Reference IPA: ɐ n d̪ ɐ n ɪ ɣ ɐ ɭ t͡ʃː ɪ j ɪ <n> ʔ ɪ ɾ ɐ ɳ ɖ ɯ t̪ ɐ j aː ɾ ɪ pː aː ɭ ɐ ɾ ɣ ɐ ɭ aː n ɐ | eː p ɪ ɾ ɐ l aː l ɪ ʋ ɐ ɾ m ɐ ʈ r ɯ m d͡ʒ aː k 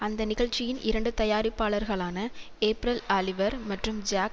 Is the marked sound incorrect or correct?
correct